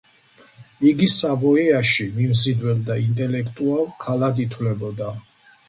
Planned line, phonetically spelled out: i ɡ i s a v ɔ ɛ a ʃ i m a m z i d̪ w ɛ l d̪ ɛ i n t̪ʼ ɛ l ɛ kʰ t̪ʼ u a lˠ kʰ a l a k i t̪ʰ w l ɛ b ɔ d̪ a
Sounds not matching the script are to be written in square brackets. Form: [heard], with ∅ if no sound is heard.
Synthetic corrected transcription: i ɡ i s a v ɔ ɛ a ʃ i m [i] m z i d̪ w ɛ l d̪ [a] i n t̪ʼ ɛ l ɛ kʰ t̪ʼ u a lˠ kʰ a l a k i t̪ʰ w l ɛ b ɔ d̪ a